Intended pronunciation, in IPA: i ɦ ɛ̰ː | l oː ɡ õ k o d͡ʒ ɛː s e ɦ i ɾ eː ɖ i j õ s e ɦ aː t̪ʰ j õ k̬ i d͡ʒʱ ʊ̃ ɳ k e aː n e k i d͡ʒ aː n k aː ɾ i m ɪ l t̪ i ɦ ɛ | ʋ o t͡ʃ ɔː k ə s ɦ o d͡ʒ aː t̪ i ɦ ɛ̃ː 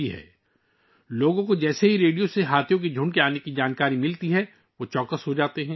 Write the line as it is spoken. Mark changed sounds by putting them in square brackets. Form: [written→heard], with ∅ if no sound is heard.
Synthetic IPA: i ɦ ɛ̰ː | l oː ɡ õ k o d͡ʒ ɛː s e ɦ i ɾ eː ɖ i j [õ→o] s e ɦ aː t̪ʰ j õ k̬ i d͡ʒʱ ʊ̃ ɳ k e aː n e k i d͡ʒ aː n k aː ɾ i m ɪ l t̪ i ɦ ɛ | ʋ o t͡ʃ ɔː k ə s ɦ o d͡ʒ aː t̪ [i→e] ɦ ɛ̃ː